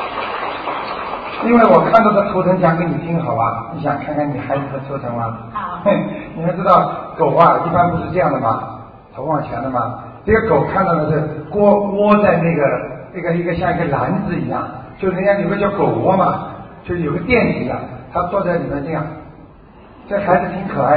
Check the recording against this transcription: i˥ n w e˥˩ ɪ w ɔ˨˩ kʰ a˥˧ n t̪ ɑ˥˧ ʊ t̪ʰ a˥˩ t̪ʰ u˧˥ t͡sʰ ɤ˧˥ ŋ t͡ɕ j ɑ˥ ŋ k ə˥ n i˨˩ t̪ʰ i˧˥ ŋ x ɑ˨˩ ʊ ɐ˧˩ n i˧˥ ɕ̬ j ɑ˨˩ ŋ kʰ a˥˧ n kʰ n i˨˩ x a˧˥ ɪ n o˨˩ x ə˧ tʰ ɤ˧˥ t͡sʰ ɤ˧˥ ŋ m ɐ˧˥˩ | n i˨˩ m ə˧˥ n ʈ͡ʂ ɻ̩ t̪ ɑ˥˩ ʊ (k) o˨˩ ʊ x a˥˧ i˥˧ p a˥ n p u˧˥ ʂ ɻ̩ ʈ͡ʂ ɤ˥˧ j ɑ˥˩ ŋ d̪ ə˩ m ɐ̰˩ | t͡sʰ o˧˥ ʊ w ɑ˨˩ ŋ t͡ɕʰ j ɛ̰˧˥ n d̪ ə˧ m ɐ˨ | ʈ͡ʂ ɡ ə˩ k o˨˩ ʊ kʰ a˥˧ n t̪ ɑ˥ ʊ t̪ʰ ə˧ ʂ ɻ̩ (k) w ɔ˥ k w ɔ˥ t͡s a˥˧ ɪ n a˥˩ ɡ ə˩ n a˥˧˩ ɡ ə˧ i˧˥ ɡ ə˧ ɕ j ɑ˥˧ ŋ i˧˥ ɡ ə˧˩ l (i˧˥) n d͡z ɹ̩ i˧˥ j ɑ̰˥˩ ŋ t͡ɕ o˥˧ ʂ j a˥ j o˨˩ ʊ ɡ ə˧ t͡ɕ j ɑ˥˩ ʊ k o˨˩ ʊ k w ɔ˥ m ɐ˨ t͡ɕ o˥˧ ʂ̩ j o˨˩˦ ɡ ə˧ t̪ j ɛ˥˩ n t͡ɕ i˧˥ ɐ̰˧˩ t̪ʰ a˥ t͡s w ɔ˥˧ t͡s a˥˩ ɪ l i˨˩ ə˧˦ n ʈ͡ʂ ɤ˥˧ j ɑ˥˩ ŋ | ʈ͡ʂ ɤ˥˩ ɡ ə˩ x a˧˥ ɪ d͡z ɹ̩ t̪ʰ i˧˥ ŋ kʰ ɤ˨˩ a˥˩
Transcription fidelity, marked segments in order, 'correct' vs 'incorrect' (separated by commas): correct, correct, incorrect